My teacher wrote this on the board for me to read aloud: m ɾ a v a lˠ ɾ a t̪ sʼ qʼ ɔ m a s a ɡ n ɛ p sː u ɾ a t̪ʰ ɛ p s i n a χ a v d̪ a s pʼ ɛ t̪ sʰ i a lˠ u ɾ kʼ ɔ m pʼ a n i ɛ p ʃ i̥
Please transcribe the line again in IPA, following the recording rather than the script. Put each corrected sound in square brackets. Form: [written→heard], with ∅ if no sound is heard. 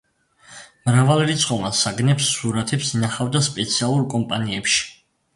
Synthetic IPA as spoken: m ɾ a v a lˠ ɾ [a→i] t̪ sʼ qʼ ɔ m a s a ɡ n ɛ p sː u ɾ a t̪ʰ ɛ p s i n a χ a v d̪ a s pʼ ɛ t̪ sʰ i a lˠ u ɾ kʼ ɔ m pʼ a n i ɛ p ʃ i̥